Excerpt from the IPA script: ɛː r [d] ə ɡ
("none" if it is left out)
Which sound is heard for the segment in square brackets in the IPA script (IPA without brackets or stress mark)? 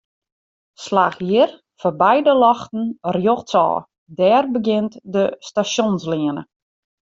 b